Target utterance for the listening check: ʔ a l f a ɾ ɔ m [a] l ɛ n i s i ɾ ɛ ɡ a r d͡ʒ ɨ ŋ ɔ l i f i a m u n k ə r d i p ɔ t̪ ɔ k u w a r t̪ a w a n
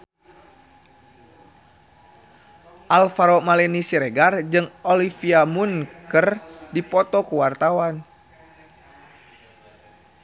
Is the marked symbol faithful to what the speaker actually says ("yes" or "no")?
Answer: yes